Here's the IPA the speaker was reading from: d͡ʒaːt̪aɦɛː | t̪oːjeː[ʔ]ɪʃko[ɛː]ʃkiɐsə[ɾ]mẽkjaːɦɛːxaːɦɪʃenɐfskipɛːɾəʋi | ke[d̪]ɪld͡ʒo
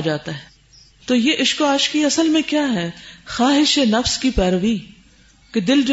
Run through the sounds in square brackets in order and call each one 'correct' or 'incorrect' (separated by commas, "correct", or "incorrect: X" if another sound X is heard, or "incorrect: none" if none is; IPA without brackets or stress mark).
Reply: correct, incorrect: aː, incorrect: l, correct